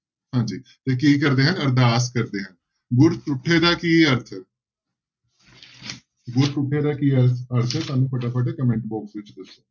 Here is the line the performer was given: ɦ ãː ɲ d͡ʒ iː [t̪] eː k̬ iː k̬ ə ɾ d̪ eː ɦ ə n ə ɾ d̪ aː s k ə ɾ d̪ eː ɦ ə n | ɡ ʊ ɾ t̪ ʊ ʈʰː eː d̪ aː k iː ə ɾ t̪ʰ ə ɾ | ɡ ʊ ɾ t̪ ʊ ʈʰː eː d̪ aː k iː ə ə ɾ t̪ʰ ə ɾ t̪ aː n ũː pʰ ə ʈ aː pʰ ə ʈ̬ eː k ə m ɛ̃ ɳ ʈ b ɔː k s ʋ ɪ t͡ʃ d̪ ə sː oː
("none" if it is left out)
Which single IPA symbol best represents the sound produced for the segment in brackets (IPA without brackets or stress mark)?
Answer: t̪